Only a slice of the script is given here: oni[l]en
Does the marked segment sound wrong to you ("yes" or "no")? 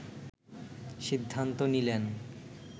no